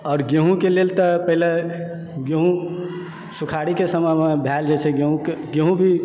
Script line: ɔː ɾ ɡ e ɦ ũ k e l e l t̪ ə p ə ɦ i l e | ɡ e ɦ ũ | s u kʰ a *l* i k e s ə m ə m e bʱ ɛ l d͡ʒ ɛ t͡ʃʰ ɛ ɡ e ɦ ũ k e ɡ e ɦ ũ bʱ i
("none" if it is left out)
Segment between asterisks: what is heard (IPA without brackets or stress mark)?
ɽ